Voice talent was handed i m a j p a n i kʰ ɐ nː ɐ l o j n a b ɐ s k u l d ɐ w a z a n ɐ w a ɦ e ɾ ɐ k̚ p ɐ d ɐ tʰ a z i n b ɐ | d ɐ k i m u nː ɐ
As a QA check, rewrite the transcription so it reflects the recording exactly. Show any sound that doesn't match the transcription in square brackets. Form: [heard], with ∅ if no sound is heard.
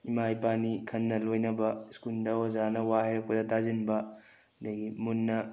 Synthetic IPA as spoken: i m a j p a n i kʰ ɐ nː ɐ l o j n [ɐ] b ɐ s k u l d ɐ w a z a n ɐ w a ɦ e ɾ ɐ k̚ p ɐ d ɐ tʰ a z i n b ɐ | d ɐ [ɡ] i m u nː ɐ